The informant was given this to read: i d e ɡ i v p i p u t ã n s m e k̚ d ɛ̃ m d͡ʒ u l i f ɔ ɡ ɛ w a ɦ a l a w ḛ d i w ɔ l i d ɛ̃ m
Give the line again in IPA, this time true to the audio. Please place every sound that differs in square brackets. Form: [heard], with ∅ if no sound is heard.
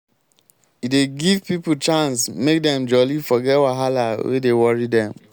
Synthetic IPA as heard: i d e ɡ i v p i p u [t͡ʃ] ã n s m e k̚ d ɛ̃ m d͡ʒ [ɔ] l i f ɔ ɡ ɛ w a ɦ a l a w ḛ d [e] w ɔ [ɹ] i d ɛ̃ m